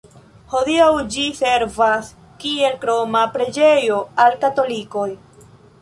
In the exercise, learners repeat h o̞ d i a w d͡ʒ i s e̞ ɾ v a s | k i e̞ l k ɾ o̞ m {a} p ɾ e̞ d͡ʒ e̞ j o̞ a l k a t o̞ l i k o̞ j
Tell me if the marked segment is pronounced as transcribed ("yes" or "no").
yes